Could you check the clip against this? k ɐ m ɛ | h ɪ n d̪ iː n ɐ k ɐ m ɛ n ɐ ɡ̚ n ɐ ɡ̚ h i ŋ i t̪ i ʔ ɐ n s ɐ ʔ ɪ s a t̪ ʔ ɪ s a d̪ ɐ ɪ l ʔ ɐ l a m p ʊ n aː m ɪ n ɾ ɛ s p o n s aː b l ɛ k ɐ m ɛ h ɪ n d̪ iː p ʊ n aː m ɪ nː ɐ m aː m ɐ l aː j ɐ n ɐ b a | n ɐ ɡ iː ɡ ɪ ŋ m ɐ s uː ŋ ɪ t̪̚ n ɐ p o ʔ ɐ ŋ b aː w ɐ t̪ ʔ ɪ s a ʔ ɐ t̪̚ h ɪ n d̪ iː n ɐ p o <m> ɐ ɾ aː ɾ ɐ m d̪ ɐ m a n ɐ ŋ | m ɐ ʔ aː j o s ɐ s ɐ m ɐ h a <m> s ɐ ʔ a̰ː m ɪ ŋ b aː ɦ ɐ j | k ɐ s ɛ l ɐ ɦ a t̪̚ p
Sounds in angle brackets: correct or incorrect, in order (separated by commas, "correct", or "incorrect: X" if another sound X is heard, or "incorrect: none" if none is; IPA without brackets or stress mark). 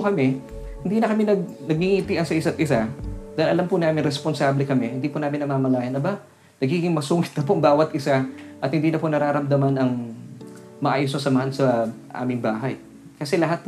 incorrect: n, incorrect: n